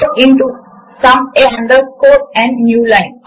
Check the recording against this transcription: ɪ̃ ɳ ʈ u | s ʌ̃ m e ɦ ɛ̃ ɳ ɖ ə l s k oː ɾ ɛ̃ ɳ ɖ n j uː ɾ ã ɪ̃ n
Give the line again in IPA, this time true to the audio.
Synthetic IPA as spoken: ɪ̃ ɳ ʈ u | s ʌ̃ m e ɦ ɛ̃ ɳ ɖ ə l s k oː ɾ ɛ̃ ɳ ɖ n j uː l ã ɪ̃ n